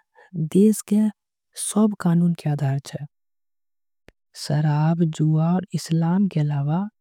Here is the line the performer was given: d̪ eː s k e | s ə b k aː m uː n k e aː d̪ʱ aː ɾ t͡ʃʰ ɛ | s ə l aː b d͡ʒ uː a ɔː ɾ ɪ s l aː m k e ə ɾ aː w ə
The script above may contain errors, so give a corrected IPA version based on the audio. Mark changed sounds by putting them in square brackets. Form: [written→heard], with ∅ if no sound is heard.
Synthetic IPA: d̪ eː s k e | s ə b k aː [m→n] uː n k e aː d̪ʱ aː ɾ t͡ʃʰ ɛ | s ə [l→ɾ] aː b d͡ʒ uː a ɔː ɾ ɪ s l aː m k e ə [ɾ→l] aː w [ə→a]